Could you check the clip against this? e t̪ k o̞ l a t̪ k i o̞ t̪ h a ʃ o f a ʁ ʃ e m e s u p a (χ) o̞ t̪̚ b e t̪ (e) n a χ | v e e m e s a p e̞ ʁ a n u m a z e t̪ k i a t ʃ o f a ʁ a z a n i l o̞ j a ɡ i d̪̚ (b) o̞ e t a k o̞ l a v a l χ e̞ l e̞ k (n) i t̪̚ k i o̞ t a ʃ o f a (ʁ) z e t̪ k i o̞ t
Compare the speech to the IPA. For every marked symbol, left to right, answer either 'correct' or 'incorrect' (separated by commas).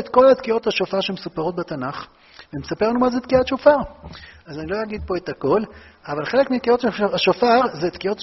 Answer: incorrect, incorrect, incorrect, incorrect, correct